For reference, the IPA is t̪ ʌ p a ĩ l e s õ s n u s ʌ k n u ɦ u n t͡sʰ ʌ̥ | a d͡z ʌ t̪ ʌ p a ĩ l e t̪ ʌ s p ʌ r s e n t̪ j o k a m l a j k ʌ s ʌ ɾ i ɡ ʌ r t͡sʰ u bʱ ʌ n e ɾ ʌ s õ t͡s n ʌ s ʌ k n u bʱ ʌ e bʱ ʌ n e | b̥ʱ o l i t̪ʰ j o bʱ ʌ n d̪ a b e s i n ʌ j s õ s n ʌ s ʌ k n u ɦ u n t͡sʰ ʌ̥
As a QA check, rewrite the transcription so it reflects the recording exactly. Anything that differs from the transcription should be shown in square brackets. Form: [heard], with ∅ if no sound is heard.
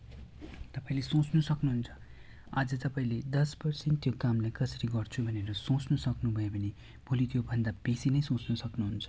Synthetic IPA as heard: t̪ ʌ p a ĩ l e s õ [t͡s] n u s ʌ k n u ɦ u n t͡sʰ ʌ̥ | a d͡z ʌ t̪ ʌ p a ĩ l e [d̪] ʌ s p ʌ r s e n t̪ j o k a m l a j k ʌ s ʌ ɾ i ɡ ʌ r t͡sʰ u bʱ ʌ n e ɾ ʌ s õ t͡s n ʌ s ʌ k n u bʱ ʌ e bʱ ʌ n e | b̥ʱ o l i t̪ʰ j o bʱ ʌ n d̪ a b e s i n ʌ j s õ [t͡s] n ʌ s ʌ k n u ɦ u n t͡sʰ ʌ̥